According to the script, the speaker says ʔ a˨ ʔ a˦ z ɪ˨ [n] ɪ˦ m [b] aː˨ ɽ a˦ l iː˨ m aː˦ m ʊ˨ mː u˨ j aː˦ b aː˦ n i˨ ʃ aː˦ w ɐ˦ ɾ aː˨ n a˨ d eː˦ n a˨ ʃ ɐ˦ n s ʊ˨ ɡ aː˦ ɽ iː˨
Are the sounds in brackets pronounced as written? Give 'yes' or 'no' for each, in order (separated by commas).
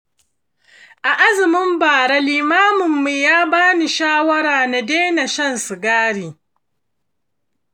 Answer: no, yes